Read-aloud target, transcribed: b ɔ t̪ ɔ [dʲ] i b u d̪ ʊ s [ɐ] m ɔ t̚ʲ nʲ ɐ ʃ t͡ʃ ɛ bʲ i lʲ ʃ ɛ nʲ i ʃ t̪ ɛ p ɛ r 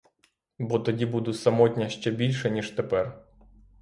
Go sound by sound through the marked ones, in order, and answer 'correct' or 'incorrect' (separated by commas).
correct, correct